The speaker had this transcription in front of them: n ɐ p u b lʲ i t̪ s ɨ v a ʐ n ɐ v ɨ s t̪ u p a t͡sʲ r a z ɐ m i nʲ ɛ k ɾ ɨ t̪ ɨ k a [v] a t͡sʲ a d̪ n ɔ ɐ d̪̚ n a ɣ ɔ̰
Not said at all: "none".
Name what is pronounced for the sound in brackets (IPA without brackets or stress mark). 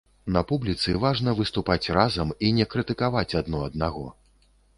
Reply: v